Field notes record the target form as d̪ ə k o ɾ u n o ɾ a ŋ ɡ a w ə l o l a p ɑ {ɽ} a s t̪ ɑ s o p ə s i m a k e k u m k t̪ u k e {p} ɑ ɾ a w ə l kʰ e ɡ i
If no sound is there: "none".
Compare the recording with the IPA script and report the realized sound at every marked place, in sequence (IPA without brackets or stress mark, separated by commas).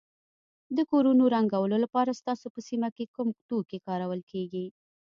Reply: ɾ, k